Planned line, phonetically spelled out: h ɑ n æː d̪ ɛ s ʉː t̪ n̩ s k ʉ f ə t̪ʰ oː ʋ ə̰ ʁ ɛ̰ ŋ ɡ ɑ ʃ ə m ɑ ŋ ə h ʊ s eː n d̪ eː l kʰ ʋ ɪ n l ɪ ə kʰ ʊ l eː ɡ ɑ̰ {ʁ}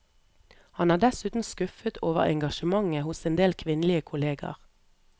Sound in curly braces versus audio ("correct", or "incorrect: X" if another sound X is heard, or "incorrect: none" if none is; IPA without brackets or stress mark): correct